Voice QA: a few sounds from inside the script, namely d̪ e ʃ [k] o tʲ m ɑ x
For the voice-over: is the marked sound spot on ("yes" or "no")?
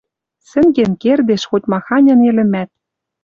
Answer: no